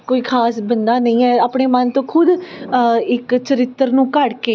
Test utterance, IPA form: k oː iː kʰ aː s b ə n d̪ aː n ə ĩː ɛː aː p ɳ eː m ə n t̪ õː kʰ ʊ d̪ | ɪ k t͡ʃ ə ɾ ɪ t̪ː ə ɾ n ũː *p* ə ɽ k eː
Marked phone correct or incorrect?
incorrect